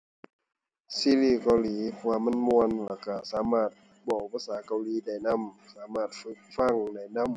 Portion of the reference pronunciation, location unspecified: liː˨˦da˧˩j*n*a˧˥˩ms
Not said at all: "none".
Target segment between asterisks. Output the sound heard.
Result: n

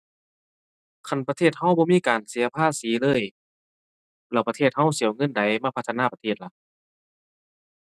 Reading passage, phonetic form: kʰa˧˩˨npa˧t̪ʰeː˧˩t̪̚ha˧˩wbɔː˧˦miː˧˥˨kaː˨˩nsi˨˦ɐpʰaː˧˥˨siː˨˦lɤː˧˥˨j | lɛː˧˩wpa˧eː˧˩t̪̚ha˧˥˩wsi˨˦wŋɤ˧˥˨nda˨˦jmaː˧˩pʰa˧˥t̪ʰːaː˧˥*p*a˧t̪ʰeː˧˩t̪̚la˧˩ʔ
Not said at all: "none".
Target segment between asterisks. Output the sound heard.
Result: p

